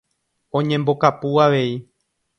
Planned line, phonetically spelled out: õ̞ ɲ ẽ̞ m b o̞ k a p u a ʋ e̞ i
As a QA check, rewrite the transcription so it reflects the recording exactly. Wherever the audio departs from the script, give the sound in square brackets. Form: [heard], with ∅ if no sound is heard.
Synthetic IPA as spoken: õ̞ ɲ ẽ̞ m b o̞ k a p u a ʋ e̞ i